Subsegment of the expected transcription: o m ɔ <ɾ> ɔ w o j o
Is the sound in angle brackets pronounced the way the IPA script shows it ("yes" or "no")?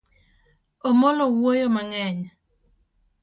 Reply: no